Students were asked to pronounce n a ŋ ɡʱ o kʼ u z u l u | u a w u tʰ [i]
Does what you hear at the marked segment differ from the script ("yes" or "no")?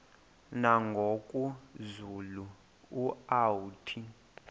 no